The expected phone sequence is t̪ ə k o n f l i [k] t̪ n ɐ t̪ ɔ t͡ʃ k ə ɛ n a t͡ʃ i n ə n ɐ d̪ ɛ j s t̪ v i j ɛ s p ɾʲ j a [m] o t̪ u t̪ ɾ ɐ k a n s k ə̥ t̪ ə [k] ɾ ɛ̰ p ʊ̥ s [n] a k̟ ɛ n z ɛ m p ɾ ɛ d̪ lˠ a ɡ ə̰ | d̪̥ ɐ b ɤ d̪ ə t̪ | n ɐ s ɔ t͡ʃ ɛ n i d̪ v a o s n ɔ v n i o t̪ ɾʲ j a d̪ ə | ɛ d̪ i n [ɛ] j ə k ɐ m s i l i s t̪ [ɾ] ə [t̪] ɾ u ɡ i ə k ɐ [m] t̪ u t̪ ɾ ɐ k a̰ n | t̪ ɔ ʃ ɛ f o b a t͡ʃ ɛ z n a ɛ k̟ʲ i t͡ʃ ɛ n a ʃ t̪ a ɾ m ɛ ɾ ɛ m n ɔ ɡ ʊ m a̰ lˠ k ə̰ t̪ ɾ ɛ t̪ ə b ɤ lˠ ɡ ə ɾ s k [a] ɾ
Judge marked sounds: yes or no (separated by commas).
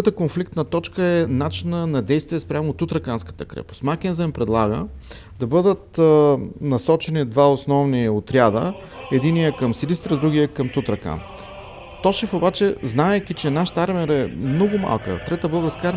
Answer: yes, yes, yes, no, no, yes, no, yes, yes